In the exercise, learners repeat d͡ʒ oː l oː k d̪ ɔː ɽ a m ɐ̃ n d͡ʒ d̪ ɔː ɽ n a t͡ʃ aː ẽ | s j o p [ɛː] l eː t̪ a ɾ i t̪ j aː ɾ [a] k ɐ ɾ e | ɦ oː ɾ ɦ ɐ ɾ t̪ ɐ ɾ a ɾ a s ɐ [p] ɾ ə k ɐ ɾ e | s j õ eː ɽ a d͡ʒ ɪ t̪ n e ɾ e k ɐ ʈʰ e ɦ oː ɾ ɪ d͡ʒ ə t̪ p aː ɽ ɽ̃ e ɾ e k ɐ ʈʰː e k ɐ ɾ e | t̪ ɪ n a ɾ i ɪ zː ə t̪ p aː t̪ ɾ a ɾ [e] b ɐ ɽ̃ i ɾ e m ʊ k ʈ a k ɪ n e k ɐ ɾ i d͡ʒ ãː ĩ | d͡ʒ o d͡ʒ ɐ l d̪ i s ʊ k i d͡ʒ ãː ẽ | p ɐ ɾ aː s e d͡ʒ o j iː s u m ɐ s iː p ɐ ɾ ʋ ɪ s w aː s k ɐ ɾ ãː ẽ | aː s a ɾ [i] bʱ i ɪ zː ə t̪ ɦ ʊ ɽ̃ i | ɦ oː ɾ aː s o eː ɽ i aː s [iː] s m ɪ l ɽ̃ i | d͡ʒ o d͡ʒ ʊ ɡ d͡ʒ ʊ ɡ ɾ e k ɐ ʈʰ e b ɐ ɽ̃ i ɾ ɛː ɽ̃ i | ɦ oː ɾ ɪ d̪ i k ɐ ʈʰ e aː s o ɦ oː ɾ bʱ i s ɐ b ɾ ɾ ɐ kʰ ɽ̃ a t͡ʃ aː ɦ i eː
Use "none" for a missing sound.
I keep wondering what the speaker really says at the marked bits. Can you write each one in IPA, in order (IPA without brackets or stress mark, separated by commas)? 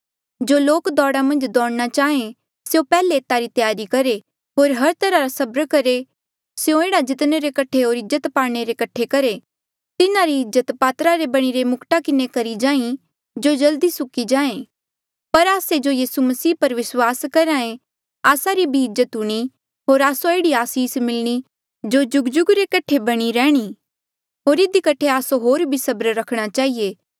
ɛː, i, b, e, i, iː